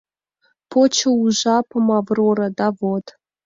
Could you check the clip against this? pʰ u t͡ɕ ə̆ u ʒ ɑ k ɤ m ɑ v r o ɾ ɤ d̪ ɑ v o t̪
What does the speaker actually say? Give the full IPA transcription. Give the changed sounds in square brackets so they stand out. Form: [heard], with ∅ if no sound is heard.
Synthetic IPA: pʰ [o] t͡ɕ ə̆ u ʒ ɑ [p] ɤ m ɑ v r o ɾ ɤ d̪ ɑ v o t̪